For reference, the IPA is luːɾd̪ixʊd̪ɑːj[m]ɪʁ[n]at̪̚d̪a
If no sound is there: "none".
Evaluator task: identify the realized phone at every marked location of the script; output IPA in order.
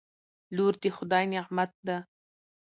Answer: n, m

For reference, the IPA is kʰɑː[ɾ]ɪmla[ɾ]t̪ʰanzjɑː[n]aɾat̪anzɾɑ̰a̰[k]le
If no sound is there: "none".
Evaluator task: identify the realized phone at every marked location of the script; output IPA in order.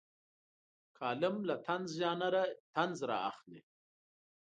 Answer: l, none, n, x

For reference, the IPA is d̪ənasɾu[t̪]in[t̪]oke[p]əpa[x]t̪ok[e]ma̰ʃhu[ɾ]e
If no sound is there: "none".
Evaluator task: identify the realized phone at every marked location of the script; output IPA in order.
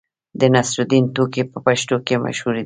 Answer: d̪, t̪, p, ʃ, e, ɾ

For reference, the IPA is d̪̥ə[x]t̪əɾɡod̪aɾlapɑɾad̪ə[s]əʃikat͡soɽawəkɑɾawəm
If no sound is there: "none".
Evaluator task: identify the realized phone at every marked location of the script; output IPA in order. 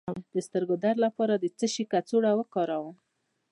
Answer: s, t͡s

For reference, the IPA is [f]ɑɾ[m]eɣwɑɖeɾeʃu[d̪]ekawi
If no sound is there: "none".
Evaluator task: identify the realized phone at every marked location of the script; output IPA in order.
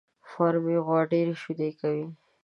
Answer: f, m, d̪

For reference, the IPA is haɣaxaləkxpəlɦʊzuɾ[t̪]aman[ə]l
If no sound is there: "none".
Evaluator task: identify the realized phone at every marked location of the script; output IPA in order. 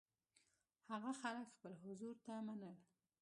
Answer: t̪, ə

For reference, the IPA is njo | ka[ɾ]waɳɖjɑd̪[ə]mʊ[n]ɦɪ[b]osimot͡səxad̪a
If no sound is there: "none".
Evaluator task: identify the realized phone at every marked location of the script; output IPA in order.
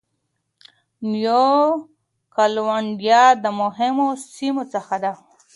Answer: l, ə, none, m

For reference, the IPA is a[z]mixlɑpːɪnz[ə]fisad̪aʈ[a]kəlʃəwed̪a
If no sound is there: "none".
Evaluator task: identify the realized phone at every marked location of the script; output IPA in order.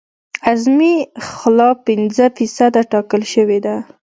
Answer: z, ə, ɑ

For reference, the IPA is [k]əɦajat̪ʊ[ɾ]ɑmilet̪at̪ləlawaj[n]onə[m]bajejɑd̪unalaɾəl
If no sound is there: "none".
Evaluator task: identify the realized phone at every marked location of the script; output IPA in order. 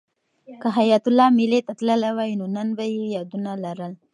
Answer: k, l, n, n

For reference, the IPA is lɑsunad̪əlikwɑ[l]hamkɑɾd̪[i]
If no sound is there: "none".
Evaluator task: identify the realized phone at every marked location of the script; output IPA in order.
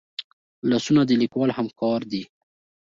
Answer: l, i

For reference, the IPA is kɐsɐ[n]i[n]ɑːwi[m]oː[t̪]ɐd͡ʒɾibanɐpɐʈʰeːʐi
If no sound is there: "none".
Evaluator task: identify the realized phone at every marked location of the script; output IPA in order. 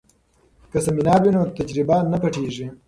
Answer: m, n, n, t̪

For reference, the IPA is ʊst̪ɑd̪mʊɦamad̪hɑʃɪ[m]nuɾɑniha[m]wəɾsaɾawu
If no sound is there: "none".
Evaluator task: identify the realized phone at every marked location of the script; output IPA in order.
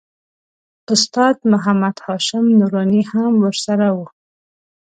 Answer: m, m

